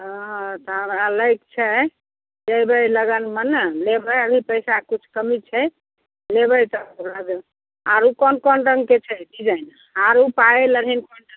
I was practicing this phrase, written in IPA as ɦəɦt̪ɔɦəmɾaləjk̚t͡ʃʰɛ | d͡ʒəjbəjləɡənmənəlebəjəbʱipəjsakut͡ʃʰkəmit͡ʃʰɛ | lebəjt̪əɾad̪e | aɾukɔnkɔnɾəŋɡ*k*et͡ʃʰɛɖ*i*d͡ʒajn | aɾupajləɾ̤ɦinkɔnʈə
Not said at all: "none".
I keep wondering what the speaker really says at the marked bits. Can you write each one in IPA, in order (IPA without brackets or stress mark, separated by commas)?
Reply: k, i